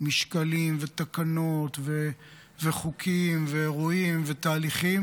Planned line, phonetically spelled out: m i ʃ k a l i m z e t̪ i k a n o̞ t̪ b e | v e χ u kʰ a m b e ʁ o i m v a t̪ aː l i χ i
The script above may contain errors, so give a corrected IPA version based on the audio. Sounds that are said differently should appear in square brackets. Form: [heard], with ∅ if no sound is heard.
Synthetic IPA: m i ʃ k a l i m [v] e t̪ [a] k a n o̞ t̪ [v] e | v e χ u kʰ [i] m [v] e ʁ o i m v [e] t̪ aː l i χ i

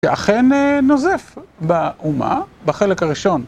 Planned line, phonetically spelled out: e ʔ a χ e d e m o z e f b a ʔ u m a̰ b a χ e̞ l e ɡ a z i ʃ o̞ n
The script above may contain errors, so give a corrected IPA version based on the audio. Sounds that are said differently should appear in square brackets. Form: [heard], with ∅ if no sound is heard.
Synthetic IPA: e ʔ a χ e [n] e [n] o z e f b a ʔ u m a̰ b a χ e̞ l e [k] a [ʁ] i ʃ o̞ n

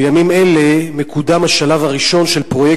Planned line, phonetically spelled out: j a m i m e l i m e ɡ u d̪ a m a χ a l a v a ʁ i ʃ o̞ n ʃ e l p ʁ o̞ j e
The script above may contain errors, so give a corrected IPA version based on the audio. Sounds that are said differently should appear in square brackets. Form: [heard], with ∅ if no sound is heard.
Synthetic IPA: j a m i m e l [e] m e [k] u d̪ a m a [ʃ] a l a v a ʁ i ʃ o̞ n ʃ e l p ʁ o̞ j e

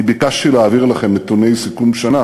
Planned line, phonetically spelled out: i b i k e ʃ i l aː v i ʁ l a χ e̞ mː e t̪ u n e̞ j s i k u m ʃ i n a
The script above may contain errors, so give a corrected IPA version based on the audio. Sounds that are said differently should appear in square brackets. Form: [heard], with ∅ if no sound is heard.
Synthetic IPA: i b i k [a] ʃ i l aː v i ʁ l a χ e̞ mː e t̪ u n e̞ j s i k u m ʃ [a] n a

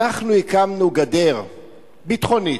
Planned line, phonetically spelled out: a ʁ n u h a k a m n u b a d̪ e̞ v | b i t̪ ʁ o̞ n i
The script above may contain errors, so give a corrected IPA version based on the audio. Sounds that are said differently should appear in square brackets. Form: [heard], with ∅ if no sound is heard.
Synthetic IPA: a [χ] n u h [i] k a m n u [ɡ] a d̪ e̞ [ʁ] | b i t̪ [χ] o̞ n i

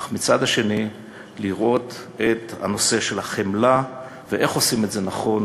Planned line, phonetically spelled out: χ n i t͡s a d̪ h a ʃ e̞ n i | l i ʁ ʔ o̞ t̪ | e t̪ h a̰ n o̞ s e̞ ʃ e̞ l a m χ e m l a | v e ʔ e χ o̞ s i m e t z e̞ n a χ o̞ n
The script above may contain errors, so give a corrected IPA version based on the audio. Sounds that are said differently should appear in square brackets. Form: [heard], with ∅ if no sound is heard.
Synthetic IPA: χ [m] i t͡s a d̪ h a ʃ e̞ n i | l i ʁ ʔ o̞ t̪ | e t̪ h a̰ n o̞ s e̞ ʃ e̞ l a [∅] χ e m l a | v e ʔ e χ o̞ s i m e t z e̞ n a χ o̞ n

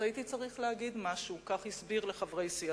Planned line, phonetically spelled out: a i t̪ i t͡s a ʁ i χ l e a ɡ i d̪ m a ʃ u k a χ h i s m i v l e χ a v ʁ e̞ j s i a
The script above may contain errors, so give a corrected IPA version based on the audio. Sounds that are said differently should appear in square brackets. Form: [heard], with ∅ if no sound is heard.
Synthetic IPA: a i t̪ i t͡s a ʁ i χ l e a ɡ i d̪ m a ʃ u k a χ h i s [b] i [ʁ] l e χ a v ʁ e̞ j s i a

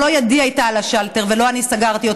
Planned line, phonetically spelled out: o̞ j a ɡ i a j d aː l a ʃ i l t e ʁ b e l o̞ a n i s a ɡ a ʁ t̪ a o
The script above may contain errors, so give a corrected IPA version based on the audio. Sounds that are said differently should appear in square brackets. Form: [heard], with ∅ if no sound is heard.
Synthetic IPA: o̞ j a [d] i a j [t] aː l a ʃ [a] l t e ʁ [v] e l o̞ a n i s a ɡ a ʁ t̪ [i] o

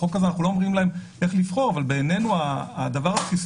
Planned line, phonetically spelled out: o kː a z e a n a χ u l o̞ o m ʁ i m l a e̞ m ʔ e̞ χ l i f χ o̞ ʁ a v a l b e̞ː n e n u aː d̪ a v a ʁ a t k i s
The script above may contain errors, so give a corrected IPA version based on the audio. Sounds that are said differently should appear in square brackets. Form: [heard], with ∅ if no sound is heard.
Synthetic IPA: o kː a z e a n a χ u l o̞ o m ʁ i m l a e̞ m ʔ e̞ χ l i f χ o̞ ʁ a v a l b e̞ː n e n u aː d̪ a v a ʁ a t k i s

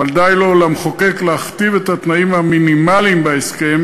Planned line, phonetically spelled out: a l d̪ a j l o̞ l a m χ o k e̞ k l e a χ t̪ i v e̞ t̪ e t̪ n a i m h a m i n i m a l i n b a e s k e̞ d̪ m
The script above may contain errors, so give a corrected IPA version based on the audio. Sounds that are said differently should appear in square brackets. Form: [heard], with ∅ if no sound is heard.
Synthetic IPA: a l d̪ a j l o̞ l a m χ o k e̞ k l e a χ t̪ i v e̞ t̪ [a] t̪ n a i m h a m i n i m a l i [m] b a e s k e̞ [∅] m

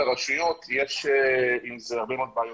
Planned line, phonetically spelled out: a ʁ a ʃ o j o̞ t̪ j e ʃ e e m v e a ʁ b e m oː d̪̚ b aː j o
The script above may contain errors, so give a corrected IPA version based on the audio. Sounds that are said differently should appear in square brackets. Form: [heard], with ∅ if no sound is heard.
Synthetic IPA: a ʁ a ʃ [u] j o̞ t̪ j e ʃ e [i] m [z] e a ʁ b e m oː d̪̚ b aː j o

